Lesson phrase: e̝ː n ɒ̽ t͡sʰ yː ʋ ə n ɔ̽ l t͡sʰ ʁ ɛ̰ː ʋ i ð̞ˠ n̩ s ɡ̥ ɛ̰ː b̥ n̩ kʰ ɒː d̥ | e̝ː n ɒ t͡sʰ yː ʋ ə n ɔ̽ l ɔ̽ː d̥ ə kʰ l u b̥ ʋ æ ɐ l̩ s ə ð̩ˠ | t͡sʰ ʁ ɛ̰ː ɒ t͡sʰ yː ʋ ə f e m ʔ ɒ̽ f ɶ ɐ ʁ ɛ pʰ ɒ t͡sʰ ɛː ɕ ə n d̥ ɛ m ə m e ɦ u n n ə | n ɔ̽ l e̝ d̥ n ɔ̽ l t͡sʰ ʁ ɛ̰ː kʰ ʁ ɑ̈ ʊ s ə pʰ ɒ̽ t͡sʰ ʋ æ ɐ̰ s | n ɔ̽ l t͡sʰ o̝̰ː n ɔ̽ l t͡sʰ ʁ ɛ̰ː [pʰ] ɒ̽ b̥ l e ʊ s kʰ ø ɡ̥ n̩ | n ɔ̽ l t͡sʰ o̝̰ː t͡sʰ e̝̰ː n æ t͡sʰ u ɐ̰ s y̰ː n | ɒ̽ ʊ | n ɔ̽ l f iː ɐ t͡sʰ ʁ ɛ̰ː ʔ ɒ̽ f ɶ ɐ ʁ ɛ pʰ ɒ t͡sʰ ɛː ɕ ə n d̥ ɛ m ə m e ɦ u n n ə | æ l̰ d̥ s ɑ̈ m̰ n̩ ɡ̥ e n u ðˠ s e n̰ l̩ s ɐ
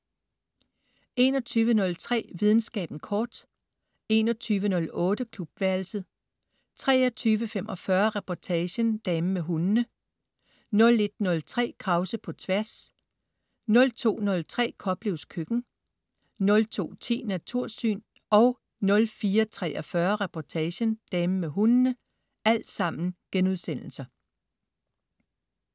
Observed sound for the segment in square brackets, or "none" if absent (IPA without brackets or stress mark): kʰ